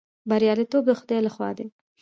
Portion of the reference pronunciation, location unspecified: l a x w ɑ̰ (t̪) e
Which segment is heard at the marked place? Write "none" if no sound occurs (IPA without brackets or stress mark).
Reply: d̪